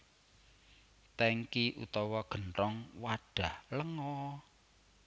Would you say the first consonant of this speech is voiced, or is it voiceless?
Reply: voiceless